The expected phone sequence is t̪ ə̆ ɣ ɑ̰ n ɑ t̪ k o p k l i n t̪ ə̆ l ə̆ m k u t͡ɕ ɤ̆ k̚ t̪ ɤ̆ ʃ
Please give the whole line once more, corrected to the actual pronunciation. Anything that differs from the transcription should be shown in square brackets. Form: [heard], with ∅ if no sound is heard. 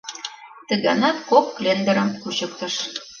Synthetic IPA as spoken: t̪ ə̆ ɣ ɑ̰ n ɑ t̪ k o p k l [e] n [d̪] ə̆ [ɾ] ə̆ m k u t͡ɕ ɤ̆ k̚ t̪ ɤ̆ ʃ